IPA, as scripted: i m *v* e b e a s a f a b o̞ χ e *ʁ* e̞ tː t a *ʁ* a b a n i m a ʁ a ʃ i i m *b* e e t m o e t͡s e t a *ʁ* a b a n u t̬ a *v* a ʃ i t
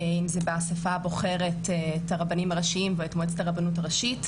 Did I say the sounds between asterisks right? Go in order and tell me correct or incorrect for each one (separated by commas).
incorrect, correct, correct, incorrect, correct, incorrect